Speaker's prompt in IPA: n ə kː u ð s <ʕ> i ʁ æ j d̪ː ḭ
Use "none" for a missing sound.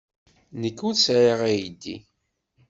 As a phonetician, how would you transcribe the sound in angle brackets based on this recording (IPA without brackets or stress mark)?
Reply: ʕ